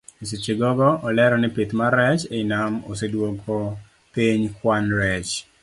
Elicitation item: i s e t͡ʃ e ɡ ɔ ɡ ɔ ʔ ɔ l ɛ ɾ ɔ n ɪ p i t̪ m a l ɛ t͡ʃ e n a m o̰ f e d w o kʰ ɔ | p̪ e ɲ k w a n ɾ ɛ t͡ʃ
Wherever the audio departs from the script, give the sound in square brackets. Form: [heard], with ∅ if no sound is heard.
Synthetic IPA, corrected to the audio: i s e t͡ʃ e ɡ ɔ ɡ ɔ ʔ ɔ l ɛ ɾ ɔ n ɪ p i t̪ m a [ɾ] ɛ t͡ʃ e n a m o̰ [s] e d w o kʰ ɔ | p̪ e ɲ k w a n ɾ ɛ t͡ʃ